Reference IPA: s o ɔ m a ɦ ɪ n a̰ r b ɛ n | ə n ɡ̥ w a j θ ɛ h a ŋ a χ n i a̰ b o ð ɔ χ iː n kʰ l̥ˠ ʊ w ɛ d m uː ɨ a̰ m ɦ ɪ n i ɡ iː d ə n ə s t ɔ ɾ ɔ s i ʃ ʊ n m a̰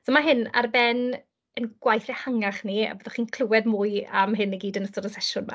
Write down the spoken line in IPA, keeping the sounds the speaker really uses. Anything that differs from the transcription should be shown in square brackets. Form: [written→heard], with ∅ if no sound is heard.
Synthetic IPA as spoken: s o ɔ m a ɦ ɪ n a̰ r b ɛ n | ə n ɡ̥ w a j θ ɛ h a ŋ a χ n i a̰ b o ð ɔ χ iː n kʰ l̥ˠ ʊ w ɛ d m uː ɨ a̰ m ɦ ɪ n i ɡ iː d ə n ə s t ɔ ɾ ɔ s [i→ɛ] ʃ ʊ n m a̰